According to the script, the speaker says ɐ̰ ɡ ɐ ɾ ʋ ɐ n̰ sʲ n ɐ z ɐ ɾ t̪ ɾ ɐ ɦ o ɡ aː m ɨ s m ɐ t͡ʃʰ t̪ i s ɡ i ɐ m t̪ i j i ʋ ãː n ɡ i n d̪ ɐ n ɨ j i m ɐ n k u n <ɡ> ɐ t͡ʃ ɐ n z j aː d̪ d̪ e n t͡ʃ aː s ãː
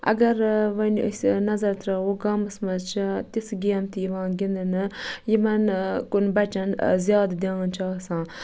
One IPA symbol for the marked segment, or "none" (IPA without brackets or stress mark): b